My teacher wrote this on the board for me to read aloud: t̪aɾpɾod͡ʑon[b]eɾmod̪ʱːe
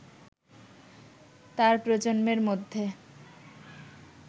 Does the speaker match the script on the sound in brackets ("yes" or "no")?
no